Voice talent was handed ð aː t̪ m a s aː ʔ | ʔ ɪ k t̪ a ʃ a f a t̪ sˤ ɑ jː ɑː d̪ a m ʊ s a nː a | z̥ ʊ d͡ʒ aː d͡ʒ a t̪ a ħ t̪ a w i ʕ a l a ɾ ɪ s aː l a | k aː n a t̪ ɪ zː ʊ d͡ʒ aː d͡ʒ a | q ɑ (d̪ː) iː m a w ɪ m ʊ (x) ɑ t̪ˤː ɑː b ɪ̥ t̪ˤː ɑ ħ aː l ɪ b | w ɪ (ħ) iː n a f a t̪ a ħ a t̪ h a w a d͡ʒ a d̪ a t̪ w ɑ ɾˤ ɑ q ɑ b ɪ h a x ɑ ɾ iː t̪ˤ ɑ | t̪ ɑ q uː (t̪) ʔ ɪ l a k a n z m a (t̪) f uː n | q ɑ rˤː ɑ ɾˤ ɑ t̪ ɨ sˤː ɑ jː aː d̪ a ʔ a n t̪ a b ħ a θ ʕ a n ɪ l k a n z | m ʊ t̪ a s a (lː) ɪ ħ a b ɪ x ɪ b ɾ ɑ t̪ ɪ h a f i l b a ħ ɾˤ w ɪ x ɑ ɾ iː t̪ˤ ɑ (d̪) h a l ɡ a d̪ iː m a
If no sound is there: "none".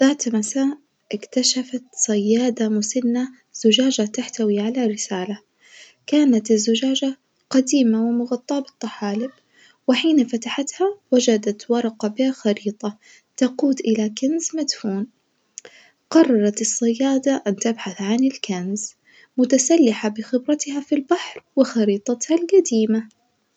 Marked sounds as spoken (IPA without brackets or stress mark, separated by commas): d̪, ɣ, ħ, d̪, d̪, lː, t̪